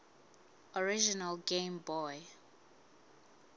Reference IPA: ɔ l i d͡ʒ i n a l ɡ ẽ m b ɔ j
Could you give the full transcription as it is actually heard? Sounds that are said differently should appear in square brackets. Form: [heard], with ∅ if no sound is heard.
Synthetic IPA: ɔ [ɹ] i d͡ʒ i n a l ɡ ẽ m b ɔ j